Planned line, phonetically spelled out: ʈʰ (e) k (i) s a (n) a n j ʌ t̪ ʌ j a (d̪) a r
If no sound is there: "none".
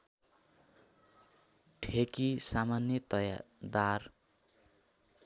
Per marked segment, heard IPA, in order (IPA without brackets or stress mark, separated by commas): e, i, m, d̪